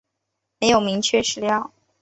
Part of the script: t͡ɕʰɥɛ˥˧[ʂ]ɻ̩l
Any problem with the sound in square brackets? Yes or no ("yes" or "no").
no